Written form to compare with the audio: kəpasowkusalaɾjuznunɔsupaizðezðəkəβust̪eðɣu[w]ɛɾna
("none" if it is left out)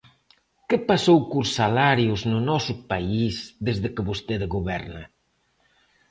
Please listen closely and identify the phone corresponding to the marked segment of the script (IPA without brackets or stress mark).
β